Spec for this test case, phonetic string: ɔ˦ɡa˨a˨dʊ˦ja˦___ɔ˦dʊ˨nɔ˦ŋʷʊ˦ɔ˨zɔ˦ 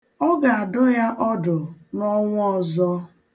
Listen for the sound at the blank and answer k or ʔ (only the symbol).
ʔ